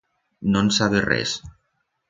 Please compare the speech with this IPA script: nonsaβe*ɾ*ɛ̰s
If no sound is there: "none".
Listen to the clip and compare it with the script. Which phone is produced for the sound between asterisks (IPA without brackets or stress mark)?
r